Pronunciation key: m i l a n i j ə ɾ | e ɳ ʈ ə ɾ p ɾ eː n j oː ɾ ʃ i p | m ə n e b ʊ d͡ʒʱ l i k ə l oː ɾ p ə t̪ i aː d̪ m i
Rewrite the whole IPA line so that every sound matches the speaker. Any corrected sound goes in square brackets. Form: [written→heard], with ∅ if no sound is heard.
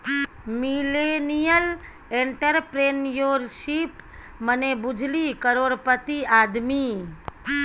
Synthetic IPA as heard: m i l [a→e] n i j ə [ɾ→l] | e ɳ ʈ ə ɾ p ɾ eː n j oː ɾ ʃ i p | m ə n e b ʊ d͡ʒʱ l i k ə [l→ɾ] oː ɾ p ə t̪ i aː d̪ m i